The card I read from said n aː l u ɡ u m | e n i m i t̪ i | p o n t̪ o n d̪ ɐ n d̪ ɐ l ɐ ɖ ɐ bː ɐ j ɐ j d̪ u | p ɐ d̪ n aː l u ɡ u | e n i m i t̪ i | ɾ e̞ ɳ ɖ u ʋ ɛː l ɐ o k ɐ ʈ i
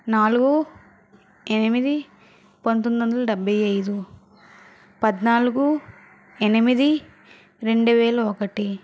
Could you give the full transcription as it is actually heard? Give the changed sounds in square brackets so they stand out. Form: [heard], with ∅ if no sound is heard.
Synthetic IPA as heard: n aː l u ɡ u [∅] | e n i m i [d̪] i | p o n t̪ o n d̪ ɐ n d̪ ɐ l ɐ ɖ ɐ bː ɐ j ɐ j d̪ u | p ɐ d̪ n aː l u ɡ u | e n i m i [d̪] i | ɾ e̞ ɳ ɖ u ʋ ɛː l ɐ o k ɐ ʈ i